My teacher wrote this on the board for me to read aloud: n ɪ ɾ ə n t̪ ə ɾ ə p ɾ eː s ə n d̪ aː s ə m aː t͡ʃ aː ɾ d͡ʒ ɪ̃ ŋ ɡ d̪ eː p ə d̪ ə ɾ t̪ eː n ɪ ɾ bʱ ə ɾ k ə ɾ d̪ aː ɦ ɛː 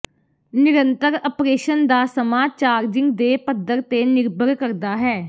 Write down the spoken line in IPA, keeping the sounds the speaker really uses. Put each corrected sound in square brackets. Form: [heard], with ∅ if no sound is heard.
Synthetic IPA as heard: n ɪ ɾ ə n t̪ ə ɾ ə p ɾ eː [ʃ] ə n d̪ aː s ə m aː t͡ʃ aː ɾ d͡ʒ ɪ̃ ŋ ɡ d̪ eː p ə d̪ ə ɾ t̪ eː n ɪ ɾ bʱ ə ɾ k ə ɾ d̪ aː ɦ ɛː

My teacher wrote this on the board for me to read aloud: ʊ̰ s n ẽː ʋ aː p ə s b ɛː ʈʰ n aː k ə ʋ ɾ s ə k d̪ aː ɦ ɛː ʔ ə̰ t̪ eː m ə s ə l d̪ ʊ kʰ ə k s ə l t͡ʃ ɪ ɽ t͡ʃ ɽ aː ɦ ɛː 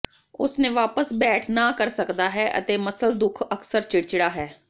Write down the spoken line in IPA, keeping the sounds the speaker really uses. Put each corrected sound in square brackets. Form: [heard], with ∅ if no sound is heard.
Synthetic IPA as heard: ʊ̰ s n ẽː ʋ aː p ə s b ɛː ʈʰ n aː k ə [∅] ɾ s ə k d̪ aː ɦ ɛː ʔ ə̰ t̪ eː m ə s ə l d̪ ʊ kʰ ə k s ə [ɾ] t͡ʃ ɪ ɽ t͡ʃ ɽ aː ɦ ɛː

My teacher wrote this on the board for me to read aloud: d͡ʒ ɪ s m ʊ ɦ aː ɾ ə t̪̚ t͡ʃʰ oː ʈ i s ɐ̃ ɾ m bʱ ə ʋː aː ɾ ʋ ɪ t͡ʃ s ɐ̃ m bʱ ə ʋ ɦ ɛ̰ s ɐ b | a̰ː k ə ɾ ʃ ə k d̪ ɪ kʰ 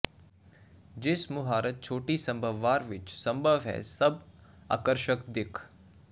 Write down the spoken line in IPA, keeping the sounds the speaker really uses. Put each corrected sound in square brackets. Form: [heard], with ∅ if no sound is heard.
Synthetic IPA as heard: d͡ʒ ɪ s m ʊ ɦ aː ɾ ə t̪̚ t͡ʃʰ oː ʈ i s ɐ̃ [∅] m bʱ ə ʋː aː ɾ ʋ ɪ t͡ʃ s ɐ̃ m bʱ ə ʋ ɦ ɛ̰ s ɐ b | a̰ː k ə ɾ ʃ ə k d̪ ɪ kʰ

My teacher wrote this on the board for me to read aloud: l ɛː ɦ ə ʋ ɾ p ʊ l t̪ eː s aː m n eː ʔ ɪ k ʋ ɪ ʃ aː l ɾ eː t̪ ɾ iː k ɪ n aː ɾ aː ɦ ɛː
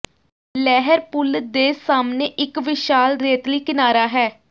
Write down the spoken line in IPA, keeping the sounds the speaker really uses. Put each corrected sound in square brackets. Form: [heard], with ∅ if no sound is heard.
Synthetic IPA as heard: l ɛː ɦ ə [∅] ɾ p ʊ l [d̪] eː s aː m n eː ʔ ɪ k ʋ ɪ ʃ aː l ɾ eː t̪ [l] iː k ɪ n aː ɾ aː ɦ ɛː

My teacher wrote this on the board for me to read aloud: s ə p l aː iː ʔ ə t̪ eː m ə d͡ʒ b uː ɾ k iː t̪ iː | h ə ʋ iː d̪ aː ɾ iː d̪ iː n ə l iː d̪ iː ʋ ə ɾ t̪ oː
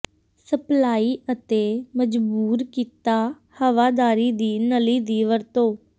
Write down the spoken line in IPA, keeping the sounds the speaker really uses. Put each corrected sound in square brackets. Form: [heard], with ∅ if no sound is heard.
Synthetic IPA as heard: s ə p l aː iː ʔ ə t̪ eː m ə d͡ʒ b uː ɾ k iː t̪ [aː] | h ə ʋ [aː] d̪ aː ɾ iː d̪ iː n ə l iː d̪ iː ʋ ə ɾ t̪ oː

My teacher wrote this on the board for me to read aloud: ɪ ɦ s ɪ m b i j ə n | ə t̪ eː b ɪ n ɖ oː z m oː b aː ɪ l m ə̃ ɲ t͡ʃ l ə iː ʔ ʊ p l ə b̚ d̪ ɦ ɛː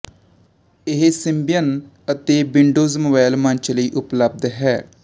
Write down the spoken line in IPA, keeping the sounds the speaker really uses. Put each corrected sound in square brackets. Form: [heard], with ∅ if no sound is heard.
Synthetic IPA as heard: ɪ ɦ s ɪ m b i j ə n | ə t̪ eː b ɪ [ɳ] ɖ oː z m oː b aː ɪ l m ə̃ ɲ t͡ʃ l ə iː ʔ ʊ p l ə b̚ d̪ ɦ ɛː

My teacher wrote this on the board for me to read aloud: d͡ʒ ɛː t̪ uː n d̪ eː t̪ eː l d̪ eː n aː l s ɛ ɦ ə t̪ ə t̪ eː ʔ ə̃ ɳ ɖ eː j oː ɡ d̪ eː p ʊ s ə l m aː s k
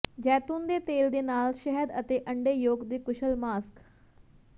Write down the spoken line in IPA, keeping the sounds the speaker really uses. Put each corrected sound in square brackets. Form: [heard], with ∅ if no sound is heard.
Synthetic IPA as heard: d͡ʒ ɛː t̪ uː n d̪ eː t̪ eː l d̪ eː n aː l [ʃ] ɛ ɦ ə [d̪] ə t̪ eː ʔ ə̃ ɳ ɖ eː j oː ɡ d̪ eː [k] ʊ [ʃ] ə l m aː s k

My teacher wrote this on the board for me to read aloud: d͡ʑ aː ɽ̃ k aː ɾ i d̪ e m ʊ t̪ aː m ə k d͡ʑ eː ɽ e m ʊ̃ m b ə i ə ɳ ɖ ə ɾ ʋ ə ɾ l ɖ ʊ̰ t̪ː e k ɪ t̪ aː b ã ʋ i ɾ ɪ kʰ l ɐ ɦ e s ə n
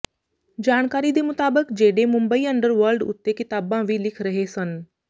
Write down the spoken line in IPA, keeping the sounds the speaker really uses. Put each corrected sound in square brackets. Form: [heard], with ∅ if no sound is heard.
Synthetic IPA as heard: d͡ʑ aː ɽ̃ k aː ɾ i d̪ e m ʊ t̪ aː [b] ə k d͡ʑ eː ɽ e m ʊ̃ m b ə i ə ɳ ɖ ə ɾ ʋ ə ɾ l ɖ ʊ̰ t̪ː e k ɪ t̪ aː b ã ʋ i [l] ɪ kʰ [ɾ] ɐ ɦ e s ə n

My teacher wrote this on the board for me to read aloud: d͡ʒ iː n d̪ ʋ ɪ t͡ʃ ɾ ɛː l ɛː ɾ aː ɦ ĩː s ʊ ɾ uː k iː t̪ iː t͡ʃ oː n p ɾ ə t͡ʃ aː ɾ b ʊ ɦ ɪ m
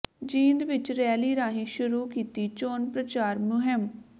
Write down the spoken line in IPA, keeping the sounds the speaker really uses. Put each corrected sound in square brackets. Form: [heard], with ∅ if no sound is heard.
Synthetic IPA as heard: d͡ʒ iː n d̪ ʋ ɪ t͡ʃ ɾ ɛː l [iː] ɾ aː ɦ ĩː [ʃ] ʊ ɾ uː k iː t̪ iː t͡ʃ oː n p ɾ ə t͡ʃ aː ɾ [m] ʊ ɦ ɪ m

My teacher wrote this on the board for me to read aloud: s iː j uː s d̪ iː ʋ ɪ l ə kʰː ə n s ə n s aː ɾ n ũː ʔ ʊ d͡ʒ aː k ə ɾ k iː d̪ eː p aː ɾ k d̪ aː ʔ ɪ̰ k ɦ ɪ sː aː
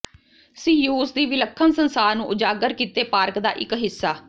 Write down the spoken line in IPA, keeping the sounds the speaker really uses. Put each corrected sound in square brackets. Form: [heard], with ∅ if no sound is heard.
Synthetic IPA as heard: s iː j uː s d̪ iː ʋ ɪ l ə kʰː ə n s ə n s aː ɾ n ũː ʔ ʊ d͡ʒ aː [ɡ] ə ɾ k iː [t̪] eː p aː ɾ k d̪ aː ʔ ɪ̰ k ɦ ɪ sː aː

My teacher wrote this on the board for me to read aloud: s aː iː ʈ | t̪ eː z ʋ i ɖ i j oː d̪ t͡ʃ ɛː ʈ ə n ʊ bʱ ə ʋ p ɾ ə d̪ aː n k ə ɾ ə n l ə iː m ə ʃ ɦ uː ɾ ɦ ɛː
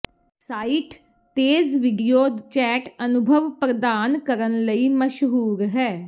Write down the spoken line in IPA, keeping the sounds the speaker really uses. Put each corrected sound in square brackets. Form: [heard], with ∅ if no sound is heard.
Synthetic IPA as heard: s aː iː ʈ | t̪ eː z ʋ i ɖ i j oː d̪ t͡ʃ ɛː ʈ ə n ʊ bʱ ə ʋ p ɾ ə d̪ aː n k ə ɾ ə n l ə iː m ə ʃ ɦ uː ɾ ɦ ɛː

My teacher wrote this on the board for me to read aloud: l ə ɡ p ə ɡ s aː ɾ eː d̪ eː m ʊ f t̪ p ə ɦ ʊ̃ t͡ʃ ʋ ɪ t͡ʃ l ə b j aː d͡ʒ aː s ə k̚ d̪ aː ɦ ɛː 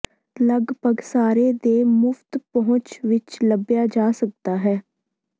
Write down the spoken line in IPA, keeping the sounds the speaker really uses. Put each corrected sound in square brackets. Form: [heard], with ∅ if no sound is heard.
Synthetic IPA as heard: l ə ɡ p ə ɡ s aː ɾ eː d̪ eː m ʊ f t̪ p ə ɦ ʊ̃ t͡ʃ ʋ ɪ t͡ʃ l ə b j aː d͡ʒ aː s ə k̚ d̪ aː ɦ ɛː

